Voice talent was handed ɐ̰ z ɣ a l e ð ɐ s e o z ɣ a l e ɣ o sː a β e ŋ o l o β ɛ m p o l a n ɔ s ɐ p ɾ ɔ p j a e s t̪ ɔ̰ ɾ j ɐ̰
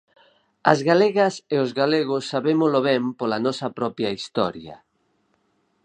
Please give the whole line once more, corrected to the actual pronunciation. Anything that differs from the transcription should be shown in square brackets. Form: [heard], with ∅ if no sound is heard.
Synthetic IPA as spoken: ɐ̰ z ɣ a l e [ɣ] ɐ s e o z ɣ a l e ɣ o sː a β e [m] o l o β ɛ m p o l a n ɔ s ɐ p ɾ ɔ p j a [i] s t̪ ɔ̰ ɾ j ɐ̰